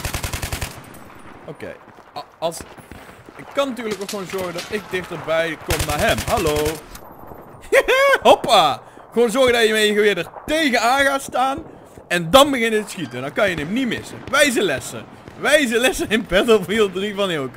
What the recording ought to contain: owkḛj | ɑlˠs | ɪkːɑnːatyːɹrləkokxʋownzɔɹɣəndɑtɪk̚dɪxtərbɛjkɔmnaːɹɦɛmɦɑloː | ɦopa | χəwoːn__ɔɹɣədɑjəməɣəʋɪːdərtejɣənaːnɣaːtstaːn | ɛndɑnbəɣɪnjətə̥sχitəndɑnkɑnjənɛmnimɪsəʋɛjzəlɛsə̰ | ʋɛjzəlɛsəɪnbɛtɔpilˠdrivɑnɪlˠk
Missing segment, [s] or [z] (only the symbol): z